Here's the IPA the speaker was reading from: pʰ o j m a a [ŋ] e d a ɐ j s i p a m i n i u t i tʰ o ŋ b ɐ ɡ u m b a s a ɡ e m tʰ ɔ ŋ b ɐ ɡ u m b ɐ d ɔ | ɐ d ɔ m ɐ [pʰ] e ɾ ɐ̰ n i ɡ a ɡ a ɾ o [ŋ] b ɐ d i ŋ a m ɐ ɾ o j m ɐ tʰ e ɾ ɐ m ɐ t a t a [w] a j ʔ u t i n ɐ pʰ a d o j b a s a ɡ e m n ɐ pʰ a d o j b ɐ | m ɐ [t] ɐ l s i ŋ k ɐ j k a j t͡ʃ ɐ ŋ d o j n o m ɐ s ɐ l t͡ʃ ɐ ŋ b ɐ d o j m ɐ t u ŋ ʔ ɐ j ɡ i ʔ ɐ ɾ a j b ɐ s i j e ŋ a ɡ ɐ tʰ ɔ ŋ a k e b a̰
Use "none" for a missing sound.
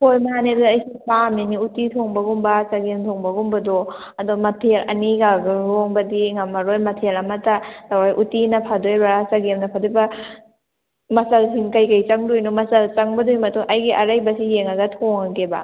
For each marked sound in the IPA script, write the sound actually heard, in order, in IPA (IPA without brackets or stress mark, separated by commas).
n, tʰ, ŋ, w, s